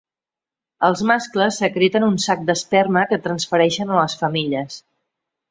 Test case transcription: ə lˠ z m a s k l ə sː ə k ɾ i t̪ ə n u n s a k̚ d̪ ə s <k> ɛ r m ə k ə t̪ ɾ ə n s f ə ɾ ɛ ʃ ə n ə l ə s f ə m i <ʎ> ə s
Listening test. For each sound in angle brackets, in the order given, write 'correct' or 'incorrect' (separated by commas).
incorrect, correct